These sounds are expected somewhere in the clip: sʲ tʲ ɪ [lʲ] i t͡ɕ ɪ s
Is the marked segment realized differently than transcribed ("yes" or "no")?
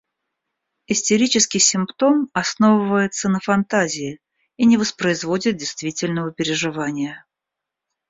yes